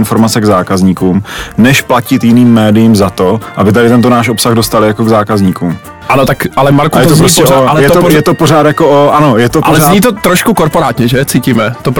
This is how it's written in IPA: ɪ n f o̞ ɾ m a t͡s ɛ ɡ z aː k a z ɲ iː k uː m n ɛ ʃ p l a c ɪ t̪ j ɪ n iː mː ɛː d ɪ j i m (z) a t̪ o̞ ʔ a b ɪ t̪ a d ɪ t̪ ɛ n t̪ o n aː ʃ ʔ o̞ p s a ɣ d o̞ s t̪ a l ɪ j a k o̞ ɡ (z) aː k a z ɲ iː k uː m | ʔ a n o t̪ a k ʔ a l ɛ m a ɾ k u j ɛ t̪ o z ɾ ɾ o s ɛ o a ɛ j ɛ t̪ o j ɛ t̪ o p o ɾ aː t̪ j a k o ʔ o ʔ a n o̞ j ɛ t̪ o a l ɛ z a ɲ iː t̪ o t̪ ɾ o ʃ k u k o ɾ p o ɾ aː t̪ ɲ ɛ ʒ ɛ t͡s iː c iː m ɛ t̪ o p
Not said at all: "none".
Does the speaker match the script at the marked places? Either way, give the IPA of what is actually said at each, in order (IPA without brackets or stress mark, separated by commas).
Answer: z, z